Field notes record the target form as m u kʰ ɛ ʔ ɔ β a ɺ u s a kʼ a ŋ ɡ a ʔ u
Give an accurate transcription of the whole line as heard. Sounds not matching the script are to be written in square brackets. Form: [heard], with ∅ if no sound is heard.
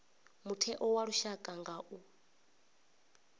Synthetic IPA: m u [tʰ] ɛ ʔ ɔ [w] a ɺ u [ʃ] a kʼ a ŋ ɡ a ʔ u